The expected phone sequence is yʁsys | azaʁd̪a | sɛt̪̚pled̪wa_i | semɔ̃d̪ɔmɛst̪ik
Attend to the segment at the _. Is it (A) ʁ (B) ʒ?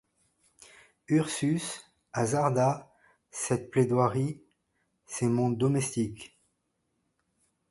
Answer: A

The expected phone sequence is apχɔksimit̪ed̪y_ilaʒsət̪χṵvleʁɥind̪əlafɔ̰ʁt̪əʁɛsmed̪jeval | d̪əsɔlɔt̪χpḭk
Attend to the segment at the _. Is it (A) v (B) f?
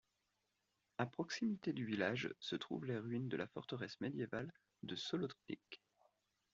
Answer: A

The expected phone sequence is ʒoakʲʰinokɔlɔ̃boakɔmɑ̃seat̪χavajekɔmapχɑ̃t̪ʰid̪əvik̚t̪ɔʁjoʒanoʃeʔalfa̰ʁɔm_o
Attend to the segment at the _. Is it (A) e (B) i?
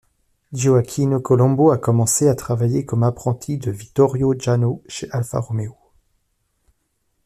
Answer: A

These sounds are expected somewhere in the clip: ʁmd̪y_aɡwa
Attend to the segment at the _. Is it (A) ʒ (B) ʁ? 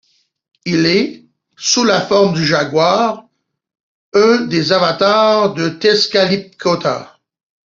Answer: A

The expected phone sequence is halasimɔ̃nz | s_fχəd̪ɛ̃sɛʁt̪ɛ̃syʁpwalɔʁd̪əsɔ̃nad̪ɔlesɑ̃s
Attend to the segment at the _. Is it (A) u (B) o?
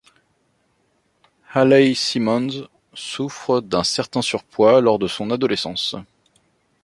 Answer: A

